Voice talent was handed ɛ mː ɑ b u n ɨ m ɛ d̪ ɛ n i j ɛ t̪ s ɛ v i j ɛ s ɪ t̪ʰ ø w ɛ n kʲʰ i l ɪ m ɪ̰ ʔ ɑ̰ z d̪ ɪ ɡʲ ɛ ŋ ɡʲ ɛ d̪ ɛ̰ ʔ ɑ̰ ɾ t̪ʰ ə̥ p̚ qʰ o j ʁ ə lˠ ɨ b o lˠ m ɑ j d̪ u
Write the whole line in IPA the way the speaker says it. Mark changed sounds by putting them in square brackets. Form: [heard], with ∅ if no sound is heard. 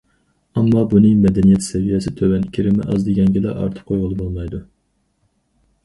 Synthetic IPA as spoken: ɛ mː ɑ b u n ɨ m ɛ d̪ ɛ n i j ɛ t̪ s ɛ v i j ɛ s ɪ t̪ʰ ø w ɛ n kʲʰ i [ɾ] ɪ m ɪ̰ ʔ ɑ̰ z d̪ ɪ ɡʲ ɛ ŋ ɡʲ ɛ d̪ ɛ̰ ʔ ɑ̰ ɾ t̪ʰ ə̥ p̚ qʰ o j ʁ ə lˠ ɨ b o lˠ m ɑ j d̪ u